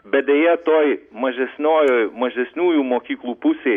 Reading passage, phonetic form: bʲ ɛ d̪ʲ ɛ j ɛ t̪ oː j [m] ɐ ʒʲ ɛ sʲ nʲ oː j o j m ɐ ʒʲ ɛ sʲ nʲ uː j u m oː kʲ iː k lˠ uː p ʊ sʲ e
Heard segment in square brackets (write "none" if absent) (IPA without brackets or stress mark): m